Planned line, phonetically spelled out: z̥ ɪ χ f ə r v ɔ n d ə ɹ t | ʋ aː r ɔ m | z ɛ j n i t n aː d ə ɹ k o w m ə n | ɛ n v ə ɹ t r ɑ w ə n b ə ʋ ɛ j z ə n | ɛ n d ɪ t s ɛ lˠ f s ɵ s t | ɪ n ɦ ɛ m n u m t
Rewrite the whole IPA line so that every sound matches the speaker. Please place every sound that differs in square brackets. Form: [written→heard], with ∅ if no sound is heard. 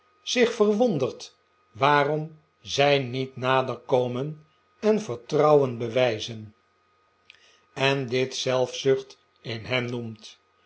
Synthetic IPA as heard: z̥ ɪ χ f ə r [v→ʋ] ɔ n d ə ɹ t | ʋ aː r ɔ m | z ɛ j n i t n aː d ə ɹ k o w m ə n | ɛ n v ə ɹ t r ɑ w ə n b ə ʋ ɛ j z ə n | ɛ n d ɪ t s ɛ lˠ f s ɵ [s→χ] t | ɪ n ɦ ɛ m n u m t